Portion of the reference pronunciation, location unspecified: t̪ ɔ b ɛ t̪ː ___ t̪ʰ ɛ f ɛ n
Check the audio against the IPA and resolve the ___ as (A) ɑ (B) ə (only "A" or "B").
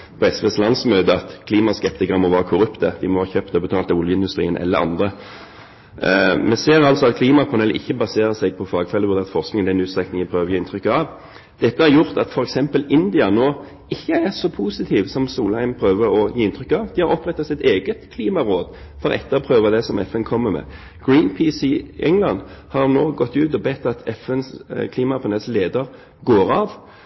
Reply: A